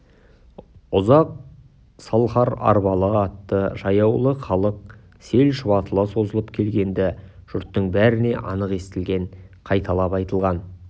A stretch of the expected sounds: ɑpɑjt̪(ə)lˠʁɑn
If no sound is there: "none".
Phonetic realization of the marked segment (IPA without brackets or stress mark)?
ə